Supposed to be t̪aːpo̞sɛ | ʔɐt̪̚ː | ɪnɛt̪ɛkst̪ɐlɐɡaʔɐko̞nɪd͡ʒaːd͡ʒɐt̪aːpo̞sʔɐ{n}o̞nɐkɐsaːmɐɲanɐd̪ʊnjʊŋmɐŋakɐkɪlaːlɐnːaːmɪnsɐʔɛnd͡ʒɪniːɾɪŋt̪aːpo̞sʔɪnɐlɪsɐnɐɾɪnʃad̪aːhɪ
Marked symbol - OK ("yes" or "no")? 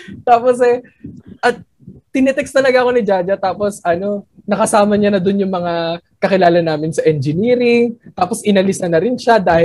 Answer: yes